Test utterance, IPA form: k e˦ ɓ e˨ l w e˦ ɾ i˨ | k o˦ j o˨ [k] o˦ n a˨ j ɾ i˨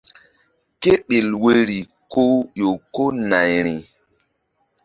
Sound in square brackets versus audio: correct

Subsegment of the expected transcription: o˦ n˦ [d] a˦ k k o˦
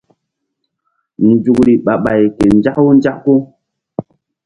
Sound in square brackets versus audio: incorrect: d͡ʒ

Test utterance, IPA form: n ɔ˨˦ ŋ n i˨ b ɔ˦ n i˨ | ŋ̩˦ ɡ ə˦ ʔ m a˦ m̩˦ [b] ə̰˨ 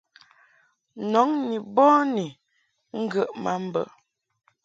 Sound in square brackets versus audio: correct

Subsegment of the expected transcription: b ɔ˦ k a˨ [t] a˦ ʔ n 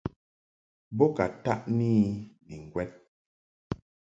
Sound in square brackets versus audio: correct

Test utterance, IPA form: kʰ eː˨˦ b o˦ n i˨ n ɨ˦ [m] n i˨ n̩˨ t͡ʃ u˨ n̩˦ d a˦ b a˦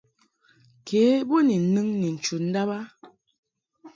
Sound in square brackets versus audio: incorrect: ŋ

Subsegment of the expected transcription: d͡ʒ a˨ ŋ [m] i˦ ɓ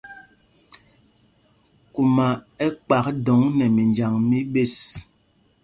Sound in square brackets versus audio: correct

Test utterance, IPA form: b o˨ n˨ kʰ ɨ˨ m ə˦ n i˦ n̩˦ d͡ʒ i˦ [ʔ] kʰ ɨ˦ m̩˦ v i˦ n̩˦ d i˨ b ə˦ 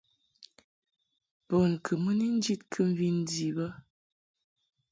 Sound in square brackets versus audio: incorrect: t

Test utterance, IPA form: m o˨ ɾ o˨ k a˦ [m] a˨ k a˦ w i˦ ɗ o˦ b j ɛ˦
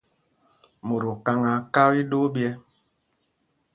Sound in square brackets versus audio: incorrect: ŋ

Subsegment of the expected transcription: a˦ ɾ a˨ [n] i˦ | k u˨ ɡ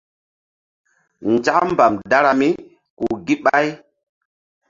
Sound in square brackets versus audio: incorrect: m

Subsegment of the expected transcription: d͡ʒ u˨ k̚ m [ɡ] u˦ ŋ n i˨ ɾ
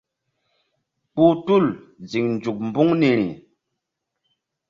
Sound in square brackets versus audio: incorrect: b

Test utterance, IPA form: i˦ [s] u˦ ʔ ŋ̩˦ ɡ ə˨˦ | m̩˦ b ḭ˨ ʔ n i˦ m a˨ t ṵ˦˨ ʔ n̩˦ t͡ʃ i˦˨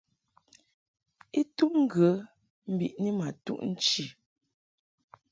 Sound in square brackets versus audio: incorrect: t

